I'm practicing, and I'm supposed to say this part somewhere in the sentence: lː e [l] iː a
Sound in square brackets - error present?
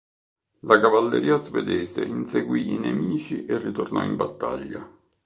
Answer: yes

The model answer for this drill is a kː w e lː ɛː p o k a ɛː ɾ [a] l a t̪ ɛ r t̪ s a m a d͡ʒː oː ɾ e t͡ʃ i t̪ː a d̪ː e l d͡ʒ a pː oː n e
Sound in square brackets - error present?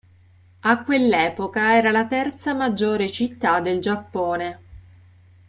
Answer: no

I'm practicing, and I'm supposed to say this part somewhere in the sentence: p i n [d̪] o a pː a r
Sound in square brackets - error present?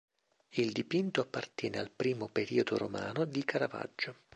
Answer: yes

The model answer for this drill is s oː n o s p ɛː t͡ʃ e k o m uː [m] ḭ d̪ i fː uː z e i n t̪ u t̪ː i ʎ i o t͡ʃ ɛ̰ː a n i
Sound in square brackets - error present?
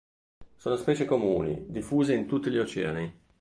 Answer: yes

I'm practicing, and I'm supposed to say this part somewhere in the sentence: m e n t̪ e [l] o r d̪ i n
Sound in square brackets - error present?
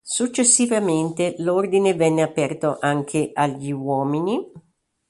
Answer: no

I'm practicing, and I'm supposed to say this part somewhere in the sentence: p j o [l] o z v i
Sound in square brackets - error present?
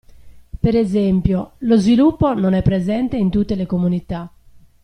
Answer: no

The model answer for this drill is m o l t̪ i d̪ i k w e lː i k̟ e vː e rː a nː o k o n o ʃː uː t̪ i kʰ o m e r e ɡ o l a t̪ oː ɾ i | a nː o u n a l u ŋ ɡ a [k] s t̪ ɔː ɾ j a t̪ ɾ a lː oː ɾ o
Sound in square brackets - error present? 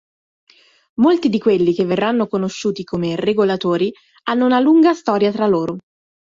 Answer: yes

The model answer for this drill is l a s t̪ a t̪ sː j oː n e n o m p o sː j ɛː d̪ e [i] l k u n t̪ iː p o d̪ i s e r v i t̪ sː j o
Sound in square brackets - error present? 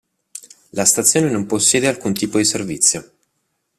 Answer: yes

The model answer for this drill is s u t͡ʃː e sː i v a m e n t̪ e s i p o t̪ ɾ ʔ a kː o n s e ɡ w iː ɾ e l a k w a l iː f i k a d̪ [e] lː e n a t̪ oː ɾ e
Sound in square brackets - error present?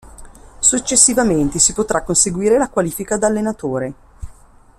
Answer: yes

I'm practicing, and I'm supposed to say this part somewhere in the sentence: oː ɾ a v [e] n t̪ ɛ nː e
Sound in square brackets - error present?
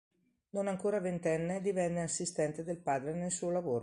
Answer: no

